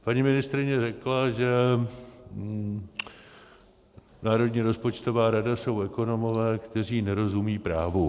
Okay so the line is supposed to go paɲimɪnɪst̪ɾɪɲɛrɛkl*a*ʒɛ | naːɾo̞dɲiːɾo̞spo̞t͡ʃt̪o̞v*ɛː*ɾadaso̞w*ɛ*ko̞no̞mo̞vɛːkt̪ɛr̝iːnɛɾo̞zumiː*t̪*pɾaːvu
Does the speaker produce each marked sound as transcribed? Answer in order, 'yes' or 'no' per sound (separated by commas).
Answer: yes, no, yes, no